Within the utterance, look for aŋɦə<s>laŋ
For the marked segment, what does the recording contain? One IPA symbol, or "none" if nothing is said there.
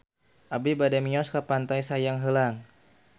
none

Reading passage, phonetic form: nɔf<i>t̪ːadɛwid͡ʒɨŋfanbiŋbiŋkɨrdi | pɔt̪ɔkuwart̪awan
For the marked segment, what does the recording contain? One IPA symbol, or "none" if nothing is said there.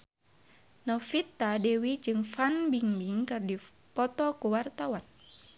i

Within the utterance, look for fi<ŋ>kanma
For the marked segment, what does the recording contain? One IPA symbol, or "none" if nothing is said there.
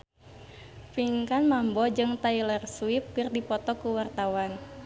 ŋ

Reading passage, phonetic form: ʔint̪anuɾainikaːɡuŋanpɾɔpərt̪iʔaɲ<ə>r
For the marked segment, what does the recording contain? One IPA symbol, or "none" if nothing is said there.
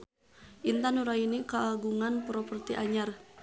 a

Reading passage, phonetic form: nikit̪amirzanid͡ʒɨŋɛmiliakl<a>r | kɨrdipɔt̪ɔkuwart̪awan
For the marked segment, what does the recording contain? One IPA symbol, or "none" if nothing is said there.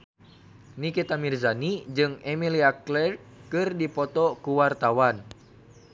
ɛ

